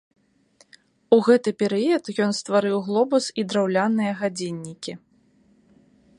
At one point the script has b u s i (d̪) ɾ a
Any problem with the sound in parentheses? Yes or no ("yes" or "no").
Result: no